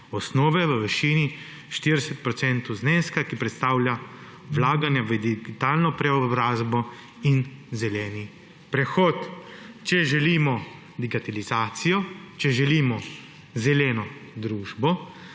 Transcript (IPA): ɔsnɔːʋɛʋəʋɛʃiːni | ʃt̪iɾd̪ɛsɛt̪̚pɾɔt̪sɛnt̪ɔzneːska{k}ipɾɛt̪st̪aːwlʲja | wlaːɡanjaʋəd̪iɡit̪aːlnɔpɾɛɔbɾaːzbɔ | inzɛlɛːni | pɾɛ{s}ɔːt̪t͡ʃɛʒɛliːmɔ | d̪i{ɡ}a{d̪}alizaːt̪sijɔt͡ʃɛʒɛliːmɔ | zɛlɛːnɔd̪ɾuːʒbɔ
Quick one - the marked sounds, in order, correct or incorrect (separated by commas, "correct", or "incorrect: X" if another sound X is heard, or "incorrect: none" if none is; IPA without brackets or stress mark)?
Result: correct, incorrect: x, correct, incorrect: t̪